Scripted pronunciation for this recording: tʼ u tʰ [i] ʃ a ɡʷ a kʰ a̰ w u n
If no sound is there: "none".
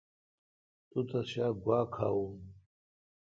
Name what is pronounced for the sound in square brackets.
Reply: a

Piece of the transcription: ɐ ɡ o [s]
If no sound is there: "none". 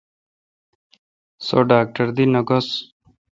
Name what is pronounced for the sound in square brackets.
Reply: s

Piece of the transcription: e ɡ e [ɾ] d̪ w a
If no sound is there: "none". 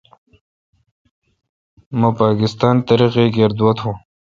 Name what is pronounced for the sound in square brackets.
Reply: ɾ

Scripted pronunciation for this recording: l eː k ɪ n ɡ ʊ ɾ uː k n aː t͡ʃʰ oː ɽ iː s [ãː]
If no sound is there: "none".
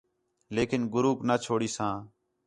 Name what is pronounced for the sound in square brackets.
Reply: ãː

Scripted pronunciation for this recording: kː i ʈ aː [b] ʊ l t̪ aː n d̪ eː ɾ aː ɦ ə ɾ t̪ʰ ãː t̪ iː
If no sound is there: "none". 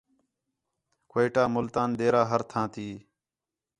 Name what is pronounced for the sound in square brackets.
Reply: m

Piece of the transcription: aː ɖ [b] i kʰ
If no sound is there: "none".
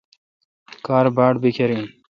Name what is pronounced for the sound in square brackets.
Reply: b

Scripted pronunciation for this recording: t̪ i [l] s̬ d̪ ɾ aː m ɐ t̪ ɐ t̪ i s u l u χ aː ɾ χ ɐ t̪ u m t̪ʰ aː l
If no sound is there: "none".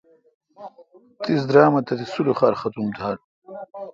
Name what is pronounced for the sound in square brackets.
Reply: none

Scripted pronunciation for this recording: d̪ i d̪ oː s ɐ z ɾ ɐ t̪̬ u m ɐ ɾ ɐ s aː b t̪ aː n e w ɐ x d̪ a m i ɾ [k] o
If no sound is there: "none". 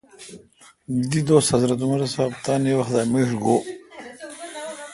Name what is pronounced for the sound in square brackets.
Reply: ɡ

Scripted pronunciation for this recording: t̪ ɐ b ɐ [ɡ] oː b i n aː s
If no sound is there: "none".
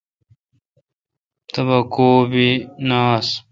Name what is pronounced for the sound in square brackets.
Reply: k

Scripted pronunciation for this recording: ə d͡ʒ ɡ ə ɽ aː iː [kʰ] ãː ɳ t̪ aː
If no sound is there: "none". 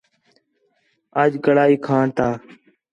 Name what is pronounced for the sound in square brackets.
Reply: kʰ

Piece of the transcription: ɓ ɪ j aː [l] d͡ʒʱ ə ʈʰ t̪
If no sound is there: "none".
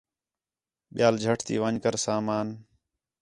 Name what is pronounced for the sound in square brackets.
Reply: l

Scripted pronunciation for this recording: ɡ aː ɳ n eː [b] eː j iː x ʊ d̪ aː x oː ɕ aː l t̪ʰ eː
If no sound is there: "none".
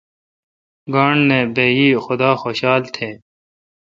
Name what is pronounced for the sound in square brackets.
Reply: b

